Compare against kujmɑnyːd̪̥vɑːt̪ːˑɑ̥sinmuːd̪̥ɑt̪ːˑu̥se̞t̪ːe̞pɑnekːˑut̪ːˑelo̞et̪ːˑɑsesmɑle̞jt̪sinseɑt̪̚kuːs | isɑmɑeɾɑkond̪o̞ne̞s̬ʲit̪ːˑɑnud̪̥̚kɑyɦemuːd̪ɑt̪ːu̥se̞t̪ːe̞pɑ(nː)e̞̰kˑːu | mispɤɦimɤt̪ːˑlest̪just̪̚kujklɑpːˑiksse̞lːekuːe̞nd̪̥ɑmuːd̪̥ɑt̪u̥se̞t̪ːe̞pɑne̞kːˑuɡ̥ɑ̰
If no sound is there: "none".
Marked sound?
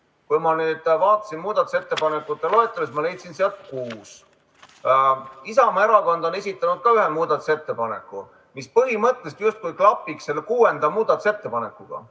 n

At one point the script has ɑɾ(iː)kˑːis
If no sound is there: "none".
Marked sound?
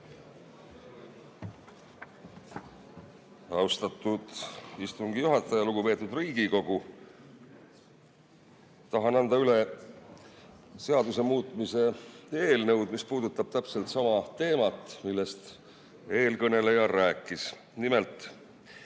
æː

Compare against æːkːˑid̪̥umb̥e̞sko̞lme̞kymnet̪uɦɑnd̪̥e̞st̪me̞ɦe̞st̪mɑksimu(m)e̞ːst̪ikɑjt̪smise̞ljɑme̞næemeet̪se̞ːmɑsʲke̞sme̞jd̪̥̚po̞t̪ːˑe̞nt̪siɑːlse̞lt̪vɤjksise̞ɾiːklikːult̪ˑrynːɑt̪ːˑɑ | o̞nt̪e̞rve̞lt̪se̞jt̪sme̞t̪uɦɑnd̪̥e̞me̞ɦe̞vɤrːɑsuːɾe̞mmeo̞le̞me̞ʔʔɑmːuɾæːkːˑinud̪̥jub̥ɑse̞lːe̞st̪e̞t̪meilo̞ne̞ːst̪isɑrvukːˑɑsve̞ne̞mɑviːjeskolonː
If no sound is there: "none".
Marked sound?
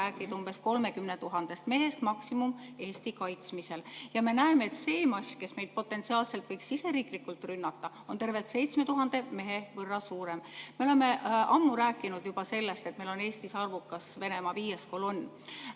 m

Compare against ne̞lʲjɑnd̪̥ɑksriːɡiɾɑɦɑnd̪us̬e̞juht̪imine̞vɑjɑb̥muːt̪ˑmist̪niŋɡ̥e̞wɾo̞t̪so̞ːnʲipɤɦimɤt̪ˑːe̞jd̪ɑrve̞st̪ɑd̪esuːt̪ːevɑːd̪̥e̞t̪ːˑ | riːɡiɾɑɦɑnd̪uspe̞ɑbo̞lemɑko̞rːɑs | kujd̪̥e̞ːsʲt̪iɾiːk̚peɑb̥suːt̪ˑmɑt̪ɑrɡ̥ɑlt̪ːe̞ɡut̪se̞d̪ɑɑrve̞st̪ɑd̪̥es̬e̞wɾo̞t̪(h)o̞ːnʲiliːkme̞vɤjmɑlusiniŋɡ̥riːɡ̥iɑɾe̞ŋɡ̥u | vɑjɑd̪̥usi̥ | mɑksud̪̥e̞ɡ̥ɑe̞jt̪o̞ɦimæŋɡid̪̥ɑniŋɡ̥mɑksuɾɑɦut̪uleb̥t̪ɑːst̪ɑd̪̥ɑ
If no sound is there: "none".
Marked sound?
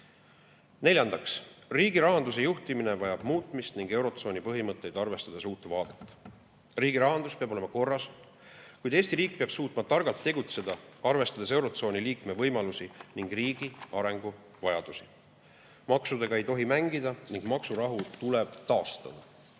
s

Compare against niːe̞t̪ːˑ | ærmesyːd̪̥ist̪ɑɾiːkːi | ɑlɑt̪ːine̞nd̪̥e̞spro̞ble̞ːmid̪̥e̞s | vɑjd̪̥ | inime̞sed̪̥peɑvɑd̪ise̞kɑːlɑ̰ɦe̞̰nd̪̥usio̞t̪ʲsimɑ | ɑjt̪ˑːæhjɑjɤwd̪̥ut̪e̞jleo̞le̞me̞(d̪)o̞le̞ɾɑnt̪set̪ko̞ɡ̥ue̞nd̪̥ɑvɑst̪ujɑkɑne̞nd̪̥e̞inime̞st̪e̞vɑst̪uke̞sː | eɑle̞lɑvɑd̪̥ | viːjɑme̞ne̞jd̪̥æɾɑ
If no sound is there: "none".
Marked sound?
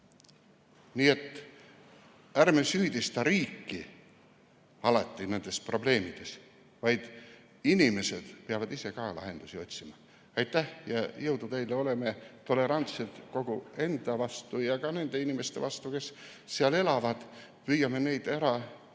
t̪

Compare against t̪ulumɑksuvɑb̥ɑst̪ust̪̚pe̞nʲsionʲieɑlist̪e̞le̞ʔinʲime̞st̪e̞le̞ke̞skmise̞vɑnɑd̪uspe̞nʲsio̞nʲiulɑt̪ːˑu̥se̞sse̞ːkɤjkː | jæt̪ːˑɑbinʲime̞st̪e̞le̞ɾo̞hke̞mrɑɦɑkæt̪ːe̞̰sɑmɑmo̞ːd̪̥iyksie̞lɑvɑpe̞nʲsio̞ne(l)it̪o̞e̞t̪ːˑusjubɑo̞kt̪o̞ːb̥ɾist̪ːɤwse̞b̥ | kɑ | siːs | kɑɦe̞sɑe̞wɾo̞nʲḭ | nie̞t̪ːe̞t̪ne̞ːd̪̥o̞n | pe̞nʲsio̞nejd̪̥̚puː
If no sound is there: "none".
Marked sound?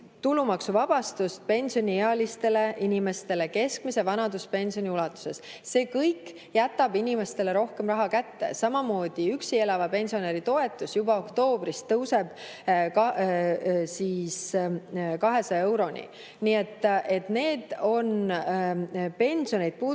ɾ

